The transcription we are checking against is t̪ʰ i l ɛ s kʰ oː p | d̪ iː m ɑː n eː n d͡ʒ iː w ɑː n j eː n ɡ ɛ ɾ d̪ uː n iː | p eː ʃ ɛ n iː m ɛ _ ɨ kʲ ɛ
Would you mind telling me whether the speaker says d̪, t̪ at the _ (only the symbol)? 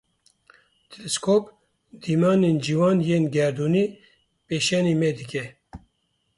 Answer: d̪